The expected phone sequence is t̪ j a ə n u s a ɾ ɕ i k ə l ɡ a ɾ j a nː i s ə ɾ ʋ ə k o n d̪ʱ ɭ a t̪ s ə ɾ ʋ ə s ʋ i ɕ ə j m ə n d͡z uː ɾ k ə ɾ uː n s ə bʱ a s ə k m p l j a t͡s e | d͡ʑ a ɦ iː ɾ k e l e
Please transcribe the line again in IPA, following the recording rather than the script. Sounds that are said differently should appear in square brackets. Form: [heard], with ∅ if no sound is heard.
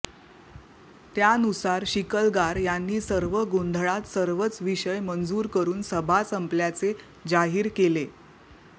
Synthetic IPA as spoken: t̪ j a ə n u s a ɾ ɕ i k ə l ɡ a ɾ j a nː [iː] s ə ɾ ʋ ə [ɡ] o n d̪ʱ ɭ a t̪ s ə ɾ ʋ ə [t͡s] ʋ i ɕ ə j m ə n d͡z uː ɾ k ə ɾ uː n s ə bʱ a s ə [∅] m p l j a t͡s e | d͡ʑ a ɦ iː ɾ k e l e